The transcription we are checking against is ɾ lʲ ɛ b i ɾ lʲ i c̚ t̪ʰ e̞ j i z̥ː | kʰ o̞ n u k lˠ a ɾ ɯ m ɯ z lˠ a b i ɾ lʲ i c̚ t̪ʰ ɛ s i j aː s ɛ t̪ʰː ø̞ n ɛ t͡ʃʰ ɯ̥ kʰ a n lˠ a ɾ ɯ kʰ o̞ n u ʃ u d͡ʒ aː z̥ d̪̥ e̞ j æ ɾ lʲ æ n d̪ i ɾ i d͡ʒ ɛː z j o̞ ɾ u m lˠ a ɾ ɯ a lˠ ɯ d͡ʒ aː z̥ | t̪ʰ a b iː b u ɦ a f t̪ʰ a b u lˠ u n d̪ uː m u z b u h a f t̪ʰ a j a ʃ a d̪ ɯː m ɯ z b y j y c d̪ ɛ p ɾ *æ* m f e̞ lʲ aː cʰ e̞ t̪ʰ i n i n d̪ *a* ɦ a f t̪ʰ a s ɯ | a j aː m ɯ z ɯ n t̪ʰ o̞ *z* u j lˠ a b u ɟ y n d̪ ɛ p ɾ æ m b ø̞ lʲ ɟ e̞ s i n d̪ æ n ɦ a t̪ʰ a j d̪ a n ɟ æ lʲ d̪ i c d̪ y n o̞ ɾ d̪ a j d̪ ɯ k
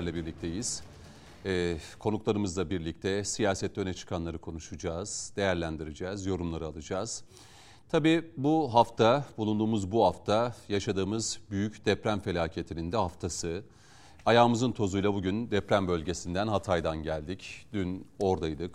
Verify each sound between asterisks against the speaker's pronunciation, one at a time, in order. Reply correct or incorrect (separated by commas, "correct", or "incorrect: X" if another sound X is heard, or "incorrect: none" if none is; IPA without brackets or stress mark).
correct, incorrect: ɛ, correct